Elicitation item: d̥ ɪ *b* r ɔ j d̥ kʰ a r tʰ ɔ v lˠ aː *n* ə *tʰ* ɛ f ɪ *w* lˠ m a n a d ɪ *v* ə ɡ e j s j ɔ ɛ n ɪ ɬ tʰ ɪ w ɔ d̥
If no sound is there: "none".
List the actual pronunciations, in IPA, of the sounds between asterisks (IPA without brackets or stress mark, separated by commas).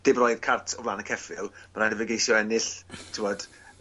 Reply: b, n, kʰ, none, v